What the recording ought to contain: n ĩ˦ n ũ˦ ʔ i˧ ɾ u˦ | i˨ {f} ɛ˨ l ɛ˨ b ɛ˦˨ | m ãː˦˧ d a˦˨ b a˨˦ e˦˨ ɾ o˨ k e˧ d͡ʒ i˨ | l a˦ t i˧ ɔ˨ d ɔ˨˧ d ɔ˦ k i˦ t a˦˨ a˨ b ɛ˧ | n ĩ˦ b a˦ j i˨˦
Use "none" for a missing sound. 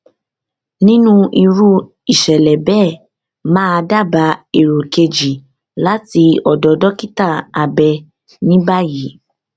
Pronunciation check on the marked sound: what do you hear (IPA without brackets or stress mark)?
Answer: ʃ